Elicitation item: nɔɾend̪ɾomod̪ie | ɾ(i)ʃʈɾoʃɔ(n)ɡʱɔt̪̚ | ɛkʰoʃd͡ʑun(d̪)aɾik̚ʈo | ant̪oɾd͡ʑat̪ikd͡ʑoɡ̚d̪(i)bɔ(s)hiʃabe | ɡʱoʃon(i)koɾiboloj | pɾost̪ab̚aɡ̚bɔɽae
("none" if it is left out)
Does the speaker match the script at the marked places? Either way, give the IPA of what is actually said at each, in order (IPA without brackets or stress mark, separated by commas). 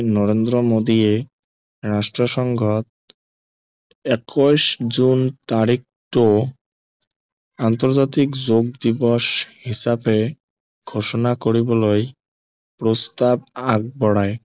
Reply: a, ŋ, t̪, i, ʃ, a